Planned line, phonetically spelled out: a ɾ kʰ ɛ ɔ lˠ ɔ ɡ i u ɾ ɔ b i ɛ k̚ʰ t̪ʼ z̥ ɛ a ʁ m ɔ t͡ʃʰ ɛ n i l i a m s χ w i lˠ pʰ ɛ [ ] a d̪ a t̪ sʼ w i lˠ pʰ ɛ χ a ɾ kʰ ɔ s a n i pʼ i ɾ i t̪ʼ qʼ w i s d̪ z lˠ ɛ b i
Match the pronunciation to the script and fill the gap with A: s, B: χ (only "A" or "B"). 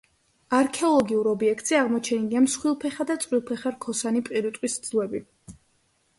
B